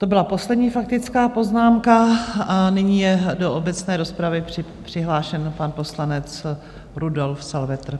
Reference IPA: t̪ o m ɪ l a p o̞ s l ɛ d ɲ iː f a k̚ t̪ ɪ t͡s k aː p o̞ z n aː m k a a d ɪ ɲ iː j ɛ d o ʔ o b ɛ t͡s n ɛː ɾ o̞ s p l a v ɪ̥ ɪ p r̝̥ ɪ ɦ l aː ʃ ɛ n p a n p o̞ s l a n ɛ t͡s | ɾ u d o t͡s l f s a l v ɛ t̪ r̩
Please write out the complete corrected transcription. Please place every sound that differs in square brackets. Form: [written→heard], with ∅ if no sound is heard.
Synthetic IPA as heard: t̪ o [m→b] ɪ l a p o̞ s l ɛ d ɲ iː f a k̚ t̪ ɪ t͡s k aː p o̞ z n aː m k a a [d→n] ɪ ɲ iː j ɛ d o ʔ o b ɛ t͡s n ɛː ɾ o̞ s p [l→ɾ] a v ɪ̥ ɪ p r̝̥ ɪ ɦ l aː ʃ ɛ n p a n p o̞ s l a n ɛ t͡s | ɾ u d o [t͡s→∅] l f s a l v ɛ t̪ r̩